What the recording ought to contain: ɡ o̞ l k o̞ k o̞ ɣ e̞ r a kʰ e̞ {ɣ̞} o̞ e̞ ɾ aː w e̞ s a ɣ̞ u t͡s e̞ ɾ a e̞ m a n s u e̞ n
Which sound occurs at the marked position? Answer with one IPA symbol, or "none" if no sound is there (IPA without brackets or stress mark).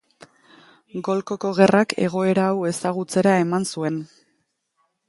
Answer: ɣ̞